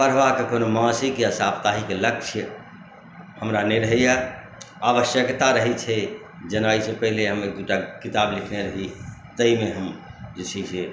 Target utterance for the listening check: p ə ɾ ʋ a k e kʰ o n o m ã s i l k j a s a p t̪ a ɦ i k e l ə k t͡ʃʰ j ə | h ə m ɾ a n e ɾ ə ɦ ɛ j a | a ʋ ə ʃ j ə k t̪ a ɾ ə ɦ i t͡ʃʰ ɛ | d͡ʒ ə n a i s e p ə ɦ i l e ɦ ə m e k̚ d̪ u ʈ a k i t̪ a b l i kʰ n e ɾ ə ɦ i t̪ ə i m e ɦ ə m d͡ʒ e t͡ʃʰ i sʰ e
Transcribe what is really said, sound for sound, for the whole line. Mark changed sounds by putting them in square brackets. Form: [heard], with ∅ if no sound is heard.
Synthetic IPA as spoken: p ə ɾ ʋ a k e [k] o n o m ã s i [∅] k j a s a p t̪ a ɦ i k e l ə k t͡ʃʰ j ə | h ə m ɾ a n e ɾ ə ɦ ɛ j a | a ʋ ə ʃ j ə k t̪ a ɾ ə ɦ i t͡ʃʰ ɛ | d͡ʒ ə n a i s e p ə ɦ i l e ɦ ə m e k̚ d̪ u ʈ a k i t̪ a b l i kʰ n e ɾ ə ɦ i t̪ ə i m e ɦ ə m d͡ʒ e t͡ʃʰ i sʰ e

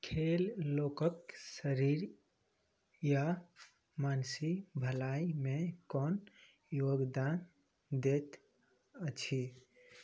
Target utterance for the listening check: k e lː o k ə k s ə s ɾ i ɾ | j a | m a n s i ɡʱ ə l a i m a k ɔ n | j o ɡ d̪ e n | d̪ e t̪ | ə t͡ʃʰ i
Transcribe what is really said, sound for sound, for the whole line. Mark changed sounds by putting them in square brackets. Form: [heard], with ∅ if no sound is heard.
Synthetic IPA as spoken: [kʰ] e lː o k ə k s ə [∅] ɾ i ɾ | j a | m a n s i [bʱ] ə l a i m [e] k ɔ n | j o ɡ d̪ [a] n | d̪ e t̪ | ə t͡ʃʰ i

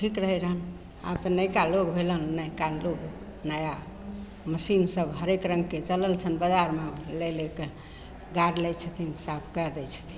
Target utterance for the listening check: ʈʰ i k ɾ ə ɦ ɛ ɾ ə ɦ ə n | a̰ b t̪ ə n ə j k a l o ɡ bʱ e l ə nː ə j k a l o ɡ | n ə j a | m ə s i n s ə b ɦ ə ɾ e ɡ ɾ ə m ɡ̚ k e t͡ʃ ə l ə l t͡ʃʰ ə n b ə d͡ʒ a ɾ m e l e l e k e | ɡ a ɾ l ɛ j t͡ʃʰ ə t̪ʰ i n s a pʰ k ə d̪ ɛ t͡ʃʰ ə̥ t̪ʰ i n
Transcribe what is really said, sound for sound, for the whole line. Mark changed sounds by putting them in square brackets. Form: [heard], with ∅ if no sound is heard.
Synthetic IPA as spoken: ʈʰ i k ɾ ə ɦ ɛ ɾ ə ɦ ə n | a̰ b t̪ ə n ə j k a l o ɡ bʱ e l ə nː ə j k a l o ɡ | n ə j a | m ə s i n s ə b ɦ ə ɾ e [k] ɾ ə [ŋ] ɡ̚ k e t͡ʃ ə l ə l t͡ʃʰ ə n b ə d͡ʒ a ɾ m e l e l e k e | ɡ a ɾ l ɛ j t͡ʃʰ ə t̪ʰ i n s a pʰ k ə d̪ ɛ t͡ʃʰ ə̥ t̪ʰ i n

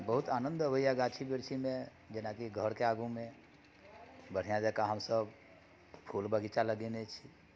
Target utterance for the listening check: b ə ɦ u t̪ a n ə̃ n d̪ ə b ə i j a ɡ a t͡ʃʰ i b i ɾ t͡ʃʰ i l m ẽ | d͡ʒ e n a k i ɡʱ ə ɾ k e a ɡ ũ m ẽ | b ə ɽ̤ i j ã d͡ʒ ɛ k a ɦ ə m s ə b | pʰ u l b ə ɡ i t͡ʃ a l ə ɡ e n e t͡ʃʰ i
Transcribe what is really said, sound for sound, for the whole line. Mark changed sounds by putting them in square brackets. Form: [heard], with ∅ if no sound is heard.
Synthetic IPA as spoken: b ə ɦ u t̪ a n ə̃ n d̪ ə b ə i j a ɡ a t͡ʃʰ i b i ɾ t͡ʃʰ i [∅] m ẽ | d͡ʒ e n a k i ɡʱ ə ɾ k e a ɡ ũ m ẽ | b ə ɽ̤ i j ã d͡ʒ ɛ k a ɦ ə m s ə b | pʰ u l b ə ɡ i t͡ʃ a l ə ɡ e n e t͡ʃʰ i

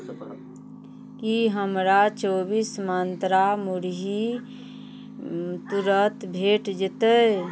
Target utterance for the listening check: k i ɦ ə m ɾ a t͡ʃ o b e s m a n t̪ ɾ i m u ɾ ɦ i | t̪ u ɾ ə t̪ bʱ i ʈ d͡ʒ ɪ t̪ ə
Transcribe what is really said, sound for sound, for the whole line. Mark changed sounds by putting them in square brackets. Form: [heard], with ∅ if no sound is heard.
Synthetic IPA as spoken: k i ɦ ə m ɾ a t͡ʃ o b [i] s m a n t̪ ɾ [a] m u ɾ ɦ i | t̪ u ɾ ə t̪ bʱ [e] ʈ d͡ʒ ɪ t̪ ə

